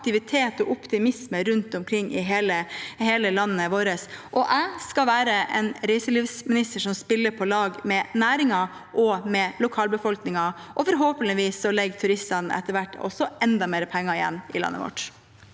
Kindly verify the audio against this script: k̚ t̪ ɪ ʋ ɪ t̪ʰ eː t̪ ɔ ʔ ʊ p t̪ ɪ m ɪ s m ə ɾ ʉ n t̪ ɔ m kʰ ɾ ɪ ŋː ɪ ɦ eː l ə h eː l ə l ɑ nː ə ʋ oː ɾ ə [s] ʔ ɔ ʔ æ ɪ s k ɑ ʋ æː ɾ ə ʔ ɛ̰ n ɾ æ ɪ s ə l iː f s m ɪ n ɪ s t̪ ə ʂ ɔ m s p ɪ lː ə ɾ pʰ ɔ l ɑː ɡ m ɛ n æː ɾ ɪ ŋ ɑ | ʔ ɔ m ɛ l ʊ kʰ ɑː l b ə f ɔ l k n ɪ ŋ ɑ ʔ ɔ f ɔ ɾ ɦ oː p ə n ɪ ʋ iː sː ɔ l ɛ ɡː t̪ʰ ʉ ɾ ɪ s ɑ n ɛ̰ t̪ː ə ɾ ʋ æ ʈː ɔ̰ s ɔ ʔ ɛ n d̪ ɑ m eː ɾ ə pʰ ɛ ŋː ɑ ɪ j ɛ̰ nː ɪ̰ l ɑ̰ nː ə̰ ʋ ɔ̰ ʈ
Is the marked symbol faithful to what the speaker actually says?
yes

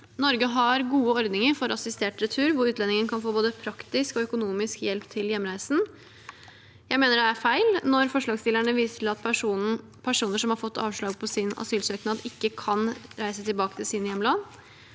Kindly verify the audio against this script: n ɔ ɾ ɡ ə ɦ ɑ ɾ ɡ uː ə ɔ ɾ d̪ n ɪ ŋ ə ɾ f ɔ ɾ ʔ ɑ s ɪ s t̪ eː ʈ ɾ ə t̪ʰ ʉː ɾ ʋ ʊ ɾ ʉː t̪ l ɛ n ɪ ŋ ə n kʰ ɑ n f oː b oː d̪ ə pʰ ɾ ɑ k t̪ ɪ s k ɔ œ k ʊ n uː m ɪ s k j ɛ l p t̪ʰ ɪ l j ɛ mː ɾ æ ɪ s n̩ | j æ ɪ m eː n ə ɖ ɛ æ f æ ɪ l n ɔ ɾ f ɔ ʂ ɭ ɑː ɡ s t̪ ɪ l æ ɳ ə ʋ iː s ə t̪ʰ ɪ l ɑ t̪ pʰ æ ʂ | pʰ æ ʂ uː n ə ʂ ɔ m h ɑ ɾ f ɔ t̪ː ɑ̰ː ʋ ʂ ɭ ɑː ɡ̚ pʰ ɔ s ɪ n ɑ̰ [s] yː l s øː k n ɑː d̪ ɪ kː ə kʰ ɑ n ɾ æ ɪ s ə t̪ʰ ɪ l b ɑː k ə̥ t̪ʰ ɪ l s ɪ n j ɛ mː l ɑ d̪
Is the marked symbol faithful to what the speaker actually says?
yes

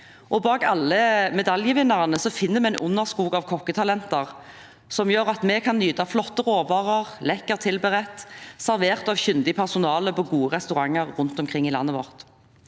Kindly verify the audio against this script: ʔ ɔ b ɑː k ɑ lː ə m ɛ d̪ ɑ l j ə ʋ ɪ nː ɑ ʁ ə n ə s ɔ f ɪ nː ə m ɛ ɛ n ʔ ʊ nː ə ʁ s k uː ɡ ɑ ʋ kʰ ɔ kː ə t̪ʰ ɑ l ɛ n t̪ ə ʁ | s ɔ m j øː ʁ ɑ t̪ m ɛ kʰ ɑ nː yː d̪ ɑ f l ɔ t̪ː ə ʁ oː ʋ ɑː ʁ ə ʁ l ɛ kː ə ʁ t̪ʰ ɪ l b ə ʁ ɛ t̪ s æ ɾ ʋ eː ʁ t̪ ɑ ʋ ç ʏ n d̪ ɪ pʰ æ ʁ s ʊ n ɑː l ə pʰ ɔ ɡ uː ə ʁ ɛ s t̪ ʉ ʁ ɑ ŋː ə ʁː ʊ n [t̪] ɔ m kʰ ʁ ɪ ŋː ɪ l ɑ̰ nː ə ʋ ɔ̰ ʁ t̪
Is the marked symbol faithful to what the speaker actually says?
yes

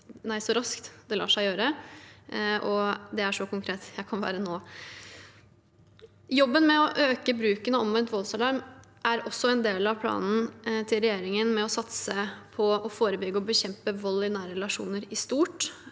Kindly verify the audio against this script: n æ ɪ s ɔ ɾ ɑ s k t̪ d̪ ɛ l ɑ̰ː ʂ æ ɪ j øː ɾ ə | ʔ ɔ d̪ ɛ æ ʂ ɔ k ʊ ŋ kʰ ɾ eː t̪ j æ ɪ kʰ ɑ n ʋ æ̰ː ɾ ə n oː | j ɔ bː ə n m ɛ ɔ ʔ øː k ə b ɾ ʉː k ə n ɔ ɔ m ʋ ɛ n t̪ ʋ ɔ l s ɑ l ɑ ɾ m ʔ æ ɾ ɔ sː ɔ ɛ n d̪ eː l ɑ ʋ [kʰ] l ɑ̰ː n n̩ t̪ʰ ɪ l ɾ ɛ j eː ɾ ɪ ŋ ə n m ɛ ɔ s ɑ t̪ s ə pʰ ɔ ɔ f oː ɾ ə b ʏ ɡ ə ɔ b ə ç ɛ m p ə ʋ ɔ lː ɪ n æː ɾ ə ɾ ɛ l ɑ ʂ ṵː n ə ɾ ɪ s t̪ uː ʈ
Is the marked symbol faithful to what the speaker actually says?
no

